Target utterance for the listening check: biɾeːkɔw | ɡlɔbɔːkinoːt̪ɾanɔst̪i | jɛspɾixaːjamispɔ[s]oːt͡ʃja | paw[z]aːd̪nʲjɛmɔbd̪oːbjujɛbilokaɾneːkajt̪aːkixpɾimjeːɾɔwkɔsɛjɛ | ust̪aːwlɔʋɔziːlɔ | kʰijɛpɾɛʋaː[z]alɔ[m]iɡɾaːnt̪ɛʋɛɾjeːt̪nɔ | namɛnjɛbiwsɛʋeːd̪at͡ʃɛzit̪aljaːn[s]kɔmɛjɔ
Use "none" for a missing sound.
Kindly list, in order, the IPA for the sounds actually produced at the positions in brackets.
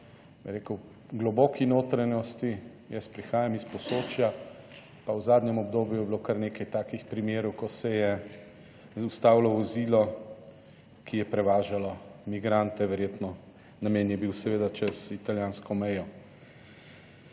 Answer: s, z, ʒ, m, s

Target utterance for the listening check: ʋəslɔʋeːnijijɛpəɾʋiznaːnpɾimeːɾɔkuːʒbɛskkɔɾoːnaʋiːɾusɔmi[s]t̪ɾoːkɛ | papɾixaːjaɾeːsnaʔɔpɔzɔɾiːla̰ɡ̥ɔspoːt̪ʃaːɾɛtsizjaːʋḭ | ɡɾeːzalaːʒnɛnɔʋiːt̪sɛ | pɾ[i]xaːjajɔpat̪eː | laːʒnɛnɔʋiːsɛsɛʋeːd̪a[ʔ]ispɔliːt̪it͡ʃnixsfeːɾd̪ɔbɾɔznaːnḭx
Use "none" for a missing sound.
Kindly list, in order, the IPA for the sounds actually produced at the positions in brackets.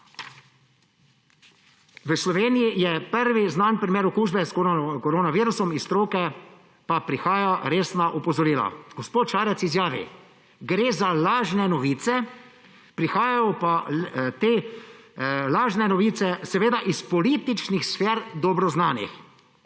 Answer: s, i, ʔ

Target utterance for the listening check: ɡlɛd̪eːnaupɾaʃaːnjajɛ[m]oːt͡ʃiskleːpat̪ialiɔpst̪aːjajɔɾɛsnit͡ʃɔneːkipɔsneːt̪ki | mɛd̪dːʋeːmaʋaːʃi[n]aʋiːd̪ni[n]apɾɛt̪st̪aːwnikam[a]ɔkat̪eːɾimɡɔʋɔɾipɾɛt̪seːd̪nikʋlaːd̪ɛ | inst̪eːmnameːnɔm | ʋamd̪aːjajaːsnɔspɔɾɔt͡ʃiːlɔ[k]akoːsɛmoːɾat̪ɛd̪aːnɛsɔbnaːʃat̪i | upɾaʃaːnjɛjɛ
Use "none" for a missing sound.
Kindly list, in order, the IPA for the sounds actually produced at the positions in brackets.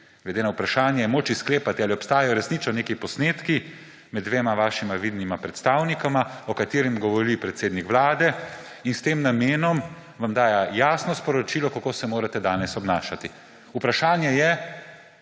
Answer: m, m, m, a, k

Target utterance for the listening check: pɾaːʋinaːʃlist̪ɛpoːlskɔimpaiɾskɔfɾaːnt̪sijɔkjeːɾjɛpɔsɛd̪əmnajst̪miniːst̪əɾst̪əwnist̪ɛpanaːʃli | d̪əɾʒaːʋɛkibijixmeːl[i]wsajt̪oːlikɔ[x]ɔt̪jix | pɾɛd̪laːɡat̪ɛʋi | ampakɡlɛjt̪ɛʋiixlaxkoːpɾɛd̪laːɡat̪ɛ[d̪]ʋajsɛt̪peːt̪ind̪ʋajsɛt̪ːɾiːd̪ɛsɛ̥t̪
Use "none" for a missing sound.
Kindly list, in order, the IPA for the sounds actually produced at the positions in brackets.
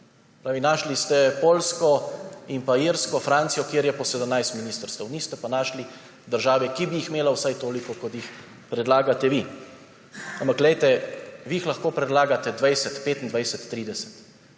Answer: a, k, d̪

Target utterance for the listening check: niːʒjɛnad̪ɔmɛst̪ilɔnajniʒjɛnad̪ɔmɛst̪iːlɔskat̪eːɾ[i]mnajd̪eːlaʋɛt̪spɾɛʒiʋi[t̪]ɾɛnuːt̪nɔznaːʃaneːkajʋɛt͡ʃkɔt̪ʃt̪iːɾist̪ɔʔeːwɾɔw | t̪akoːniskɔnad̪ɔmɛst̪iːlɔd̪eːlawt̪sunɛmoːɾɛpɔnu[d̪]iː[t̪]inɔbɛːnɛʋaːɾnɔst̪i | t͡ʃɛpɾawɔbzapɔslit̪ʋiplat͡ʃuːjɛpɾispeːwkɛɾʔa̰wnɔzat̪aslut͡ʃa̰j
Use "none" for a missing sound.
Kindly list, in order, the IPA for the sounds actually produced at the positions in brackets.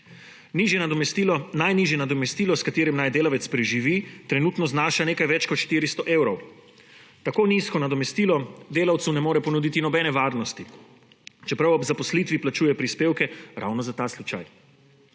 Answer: i, t̪, d̪, t̪

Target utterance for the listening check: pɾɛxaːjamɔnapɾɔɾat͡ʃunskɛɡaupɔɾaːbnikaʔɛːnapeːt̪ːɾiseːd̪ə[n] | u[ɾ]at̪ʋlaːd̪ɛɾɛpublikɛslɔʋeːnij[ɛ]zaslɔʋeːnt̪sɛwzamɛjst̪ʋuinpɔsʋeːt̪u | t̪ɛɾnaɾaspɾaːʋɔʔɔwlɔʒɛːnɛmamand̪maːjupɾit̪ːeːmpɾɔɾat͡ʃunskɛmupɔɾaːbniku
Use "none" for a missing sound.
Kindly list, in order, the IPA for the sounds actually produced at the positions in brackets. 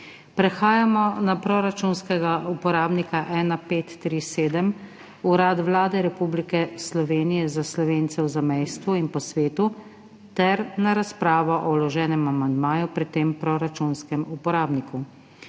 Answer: m, ɾ, ɛ

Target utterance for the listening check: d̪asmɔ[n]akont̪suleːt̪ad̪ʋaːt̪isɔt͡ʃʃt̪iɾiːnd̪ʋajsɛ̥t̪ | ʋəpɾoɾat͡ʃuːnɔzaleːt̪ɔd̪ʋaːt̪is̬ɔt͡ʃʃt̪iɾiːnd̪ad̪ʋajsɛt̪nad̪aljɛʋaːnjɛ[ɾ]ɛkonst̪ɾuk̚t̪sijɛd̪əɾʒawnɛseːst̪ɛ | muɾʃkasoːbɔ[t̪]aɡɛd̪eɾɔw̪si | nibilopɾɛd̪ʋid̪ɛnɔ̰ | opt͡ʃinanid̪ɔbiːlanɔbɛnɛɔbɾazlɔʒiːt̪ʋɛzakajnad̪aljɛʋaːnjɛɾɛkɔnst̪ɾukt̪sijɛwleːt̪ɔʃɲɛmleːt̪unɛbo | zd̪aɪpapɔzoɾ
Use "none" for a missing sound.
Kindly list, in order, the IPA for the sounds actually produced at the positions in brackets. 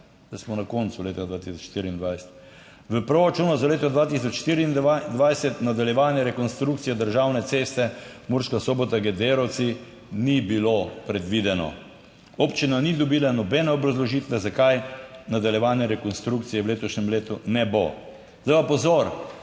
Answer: n, ɾ, t̪

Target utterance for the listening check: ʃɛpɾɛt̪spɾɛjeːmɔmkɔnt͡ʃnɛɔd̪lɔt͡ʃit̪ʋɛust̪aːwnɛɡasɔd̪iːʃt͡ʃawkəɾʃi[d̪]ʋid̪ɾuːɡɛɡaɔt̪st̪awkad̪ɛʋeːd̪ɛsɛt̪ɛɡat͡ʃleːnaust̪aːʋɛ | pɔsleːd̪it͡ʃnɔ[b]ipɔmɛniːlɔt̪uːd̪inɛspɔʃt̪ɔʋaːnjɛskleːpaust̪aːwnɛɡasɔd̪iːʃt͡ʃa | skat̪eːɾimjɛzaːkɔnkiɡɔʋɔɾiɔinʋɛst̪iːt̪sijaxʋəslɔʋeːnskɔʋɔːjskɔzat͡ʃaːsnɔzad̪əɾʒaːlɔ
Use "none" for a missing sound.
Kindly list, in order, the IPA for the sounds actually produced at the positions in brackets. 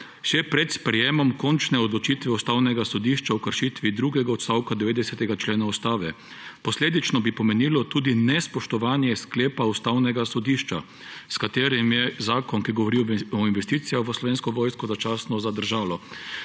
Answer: t̪, b

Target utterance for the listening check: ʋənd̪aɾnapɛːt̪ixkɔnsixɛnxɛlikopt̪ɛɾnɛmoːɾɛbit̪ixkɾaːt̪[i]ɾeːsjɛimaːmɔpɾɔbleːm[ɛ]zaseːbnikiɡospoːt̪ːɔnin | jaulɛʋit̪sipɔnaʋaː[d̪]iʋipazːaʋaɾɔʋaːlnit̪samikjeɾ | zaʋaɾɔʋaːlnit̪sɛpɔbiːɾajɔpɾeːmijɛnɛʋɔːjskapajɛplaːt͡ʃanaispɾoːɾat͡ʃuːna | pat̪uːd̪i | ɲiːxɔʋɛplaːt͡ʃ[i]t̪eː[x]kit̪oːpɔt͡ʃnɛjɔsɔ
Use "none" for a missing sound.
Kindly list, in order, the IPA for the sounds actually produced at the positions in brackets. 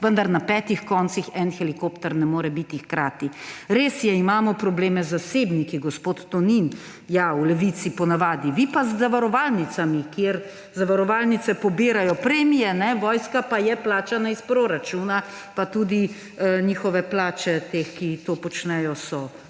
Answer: i, ɛ, d̪, ɛ, x

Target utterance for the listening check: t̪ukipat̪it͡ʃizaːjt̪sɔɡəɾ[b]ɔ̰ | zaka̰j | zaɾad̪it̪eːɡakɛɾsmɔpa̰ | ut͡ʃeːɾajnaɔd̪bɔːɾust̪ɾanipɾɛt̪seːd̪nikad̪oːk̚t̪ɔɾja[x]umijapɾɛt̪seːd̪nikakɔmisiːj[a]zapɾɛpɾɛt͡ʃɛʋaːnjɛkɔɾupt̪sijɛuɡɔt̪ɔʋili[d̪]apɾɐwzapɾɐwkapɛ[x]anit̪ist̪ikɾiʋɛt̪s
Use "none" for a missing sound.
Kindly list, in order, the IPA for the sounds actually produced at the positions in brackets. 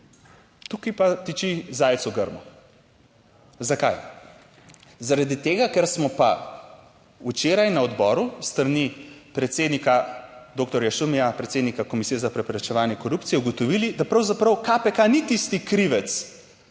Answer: m, ʃ, ɛ, d̪, k

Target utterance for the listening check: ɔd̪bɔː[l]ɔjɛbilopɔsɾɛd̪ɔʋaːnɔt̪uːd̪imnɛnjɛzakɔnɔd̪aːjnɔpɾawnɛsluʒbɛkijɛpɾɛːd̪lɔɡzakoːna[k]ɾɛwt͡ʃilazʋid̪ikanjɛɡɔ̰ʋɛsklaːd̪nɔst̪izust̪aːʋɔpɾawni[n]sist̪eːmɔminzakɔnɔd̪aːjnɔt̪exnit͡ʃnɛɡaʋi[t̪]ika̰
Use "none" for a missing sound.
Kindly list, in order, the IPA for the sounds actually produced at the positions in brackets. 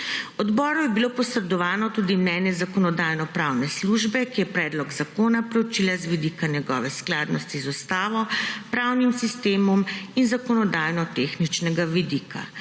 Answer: ɾ, p, m, d̪

